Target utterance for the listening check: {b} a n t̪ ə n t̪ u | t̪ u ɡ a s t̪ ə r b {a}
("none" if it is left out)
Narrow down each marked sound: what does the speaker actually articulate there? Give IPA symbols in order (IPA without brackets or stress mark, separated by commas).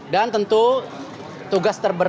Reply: d, ə